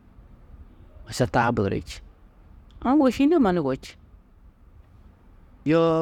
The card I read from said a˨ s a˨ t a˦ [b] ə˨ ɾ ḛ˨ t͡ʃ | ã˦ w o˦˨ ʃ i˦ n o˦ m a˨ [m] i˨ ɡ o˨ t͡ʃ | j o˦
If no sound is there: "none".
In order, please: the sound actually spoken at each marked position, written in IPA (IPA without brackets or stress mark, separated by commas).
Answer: b, n